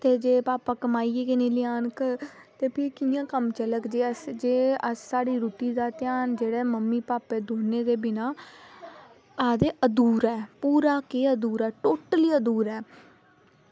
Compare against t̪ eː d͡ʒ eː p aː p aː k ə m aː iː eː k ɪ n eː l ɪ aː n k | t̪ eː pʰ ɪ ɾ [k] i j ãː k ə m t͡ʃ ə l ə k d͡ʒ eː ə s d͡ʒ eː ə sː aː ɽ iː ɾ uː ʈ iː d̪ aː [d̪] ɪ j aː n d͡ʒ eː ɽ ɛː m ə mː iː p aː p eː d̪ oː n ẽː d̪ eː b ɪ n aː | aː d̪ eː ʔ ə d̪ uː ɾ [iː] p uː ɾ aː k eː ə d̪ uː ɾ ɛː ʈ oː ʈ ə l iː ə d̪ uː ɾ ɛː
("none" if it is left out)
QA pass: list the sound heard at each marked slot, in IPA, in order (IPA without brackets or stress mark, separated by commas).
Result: k, t̪, ɛː